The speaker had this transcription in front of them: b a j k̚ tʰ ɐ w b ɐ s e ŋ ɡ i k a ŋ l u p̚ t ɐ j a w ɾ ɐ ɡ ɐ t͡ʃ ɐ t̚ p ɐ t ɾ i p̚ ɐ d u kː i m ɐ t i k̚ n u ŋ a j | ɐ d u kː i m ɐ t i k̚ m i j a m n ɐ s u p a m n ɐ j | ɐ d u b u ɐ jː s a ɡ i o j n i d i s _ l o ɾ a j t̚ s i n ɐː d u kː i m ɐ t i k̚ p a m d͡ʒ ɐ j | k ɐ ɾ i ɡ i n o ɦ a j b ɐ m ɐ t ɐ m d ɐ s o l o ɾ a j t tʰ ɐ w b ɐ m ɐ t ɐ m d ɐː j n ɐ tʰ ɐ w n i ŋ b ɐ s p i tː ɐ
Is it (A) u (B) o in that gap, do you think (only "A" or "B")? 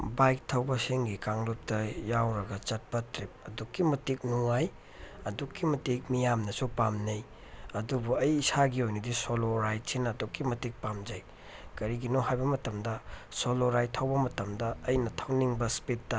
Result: B